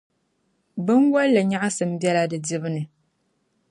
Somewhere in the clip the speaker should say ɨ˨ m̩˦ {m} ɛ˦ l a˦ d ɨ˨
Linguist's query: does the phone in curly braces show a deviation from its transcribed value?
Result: yes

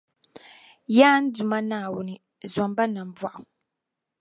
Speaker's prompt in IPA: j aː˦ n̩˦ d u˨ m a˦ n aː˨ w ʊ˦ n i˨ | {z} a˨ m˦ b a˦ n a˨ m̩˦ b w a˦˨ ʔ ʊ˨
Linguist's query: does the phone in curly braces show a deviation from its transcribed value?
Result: no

